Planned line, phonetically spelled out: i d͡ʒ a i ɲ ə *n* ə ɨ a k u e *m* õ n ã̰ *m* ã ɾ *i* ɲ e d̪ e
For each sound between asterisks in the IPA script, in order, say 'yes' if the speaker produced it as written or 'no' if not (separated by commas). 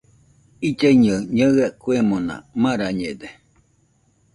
no, yes, yes, no